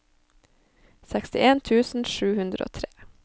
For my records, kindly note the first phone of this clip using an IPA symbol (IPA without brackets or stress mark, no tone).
s